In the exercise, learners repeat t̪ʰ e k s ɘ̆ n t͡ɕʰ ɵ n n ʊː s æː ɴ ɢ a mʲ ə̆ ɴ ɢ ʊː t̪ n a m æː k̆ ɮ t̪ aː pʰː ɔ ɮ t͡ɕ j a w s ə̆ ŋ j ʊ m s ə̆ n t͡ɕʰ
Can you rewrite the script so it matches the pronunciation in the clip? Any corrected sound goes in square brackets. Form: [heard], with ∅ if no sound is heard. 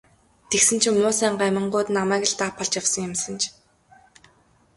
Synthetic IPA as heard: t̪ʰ e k s ɘ̆ n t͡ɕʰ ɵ [m] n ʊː s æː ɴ ɢ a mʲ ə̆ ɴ ɢ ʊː t̪ n a m æː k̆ ɮ t̪ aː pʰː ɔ ɮ t͡ɕ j a w s ə̆ ŋ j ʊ m s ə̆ n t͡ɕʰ